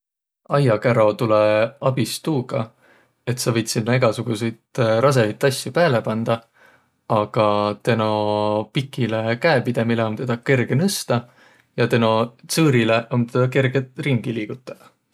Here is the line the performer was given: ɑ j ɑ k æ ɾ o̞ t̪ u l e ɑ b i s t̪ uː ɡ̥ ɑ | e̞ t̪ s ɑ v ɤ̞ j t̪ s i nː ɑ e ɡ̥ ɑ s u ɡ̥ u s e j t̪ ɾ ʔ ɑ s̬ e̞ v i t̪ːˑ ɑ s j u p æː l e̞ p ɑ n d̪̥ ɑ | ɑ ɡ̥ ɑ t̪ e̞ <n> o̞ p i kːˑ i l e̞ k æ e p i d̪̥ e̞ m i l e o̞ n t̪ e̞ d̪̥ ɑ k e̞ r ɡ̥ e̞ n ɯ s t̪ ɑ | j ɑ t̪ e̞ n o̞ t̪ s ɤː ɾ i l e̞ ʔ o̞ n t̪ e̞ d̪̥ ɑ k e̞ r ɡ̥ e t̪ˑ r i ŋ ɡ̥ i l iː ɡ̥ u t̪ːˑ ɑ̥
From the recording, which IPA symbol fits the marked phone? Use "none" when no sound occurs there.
n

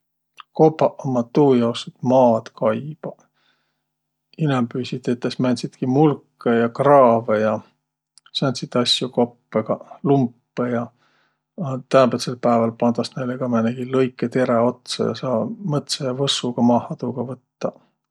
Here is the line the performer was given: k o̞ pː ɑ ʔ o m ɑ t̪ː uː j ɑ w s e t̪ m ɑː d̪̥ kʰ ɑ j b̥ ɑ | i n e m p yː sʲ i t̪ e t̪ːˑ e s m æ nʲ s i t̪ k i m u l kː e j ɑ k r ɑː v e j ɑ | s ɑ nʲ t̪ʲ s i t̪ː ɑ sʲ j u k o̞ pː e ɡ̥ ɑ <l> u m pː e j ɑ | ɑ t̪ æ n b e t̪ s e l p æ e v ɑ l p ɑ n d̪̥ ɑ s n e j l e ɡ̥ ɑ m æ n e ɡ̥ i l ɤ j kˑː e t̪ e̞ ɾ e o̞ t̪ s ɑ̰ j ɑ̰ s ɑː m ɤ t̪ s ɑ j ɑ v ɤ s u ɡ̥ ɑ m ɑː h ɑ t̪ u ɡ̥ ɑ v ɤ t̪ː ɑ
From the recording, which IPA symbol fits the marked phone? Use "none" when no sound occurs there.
l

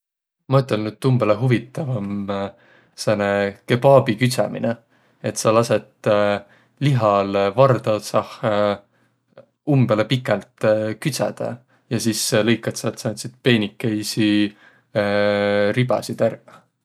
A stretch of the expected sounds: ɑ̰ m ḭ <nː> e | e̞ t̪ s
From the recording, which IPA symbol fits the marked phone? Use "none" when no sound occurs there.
n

